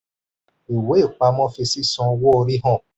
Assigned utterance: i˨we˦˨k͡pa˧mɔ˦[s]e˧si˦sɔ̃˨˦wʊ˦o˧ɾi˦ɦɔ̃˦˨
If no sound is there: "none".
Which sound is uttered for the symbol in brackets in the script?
f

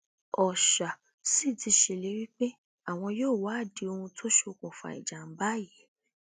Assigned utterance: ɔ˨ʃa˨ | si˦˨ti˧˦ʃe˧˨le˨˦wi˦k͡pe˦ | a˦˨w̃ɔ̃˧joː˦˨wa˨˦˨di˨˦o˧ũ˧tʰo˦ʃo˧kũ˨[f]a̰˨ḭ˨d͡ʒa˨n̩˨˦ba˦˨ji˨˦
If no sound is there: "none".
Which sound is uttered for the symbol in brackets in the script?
f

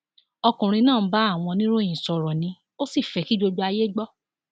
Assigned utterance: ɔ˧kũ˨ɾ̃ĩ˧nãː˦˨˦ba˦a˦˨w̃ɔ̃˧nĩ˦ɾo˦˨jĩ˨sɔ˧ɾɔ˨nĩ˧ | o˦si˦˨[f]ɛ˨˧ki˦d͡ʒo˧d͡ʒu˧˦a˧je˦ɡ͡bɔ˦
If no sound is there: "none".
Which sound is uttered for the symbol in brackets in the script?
f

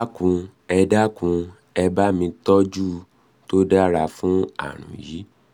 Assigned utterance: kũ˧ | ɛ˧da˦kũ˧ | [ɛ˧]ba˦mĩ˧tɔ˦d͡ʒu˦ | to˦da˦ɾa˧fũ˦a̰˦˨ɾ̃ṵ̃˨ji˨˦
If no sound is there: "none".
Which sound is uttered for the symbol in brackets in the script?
ɛ˧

